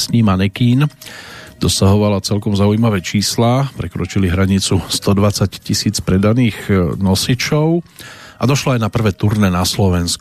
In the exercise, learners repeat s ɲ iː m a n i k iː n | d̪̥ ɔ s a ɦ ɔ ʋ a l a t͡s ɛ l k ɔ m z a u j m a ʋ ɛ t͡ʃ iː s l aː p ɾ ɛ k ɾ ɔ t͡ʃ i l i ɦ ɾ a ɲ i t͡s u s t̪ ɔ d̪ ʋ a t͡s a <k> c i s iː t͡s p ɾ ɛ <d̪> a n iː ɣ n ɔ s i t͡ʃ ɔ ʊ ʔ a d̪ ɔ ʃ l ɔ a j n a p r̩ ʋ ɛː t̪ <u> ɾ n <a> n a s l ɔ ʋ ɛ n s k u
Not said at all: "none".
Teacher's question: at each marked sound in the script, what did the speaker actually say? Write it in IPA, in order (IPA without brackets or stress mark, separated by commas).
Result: c, d̪, u, ɛ